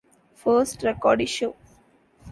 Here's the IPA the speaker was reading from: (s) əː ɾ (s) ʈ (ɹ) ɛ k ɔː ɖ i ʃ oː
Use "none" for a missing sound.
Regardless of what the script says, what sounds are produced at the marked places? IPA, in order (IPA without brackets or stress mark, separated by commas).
f, s, ɾ